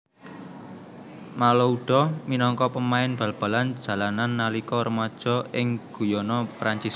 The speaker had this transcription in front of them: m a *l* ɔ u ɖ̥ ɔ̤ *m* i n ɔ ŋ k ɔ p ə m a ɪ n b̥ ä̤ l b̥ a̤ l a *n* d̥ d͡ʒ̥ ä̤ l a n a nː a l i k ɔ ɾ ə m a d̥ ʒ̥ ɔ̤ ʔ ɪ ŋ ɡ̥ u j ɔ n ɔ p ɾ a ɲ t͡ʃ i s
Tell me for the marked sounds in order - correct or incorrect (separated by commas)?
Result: correct, correct, correct